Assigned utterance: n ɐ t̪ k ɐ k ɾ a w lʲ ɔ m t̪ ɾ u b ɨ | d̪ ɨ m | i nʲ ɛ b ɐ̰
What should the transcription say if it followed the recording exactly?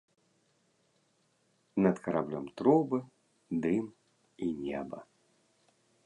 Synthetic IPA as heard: n ɐ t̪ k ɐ ɾ a b lʲ ɔ m t̪ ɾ ɔ b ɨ | d̪ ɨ m | i nʲ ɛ b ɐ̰